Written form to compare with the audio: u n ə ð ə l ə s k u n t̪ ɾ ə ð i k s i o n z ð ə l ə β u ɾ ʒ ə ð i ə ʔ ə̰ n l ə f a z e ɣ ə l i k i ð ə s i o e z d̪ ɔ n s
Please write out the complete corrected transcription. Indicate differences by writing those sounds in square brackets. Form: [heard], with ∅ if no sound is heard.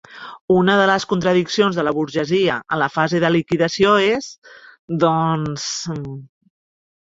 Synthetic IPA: u n ə ð ə l ə s k u n t̪ ɾ ə ð i k s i o n z ð ə l ə β u ɾ ʒ ə [z] i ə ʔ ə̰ n l ə f a z e [ð] ə l i k i ð ə s i o e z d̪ ɔ n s